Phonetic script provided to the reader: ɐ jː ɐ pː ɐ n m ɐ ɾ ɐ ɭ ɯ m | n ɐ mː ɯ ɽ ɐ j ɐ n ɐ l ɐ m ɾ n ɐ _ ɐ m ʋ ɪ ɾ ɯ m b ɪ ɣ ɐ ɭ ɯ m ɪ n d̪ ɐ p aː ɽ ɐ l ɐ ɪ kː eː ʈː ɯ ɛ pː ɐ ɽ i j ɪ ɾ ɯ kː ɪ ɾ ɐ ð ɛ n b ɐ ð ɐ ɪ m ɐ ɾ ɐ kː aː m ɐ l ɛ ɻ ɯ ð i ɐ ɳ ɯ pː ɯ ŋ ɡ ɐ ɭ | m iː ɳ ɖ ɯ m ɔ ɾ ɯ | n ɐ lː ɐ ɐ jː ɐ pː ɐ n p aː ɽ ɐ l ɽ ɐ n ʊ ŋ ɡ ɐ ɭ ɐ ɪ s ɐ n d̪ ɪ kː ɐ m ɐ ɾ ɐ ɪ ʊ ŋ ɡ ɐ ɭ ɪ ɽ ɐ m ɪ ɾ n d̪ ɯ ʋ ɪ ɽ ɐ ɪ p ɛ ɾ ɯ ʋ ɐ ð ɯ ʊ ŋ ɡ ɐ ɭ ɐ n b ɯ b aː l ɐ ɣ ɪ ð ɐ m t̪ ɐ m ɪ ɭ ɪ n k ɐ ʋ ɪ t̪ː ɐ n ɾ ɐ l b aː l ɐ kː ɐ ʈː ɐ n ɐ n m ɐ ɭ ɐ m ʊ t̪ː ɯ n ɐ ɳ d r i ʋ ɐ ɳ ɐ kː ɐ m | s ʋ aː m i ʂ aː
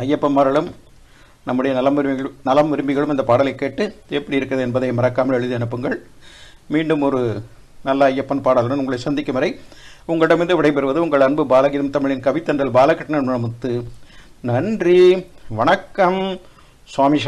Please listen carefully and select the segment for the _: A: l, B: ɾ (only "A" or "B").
A